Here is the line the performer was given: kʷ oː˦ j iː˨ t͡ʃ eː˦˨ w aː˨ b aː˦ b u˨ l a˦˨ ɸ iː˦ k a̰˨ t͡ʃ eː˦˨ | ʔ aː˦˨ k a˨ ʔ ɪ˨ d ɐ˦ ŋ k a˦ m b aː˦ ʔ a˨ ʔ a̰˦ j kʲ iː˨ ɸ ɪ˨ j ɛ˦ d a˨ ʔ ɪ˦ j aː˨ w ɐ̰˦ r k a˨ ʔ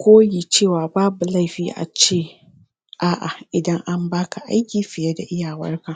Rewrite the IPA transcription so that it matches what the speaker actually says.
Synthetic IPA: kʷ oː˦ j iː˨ t͡ʃ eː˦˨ w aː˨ b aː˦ b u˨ l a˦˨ ɸ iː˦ ʔ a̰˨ t͡ʃ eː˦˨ | ʔ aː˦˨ ʔ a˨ ʔ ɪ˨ d ɐ˦ ŋ ʔ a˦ m b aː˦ k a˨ ʔ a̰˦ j kʲ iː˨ ɸ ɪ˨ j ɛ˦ d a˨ ʔ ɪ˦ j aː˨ w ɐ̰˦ r k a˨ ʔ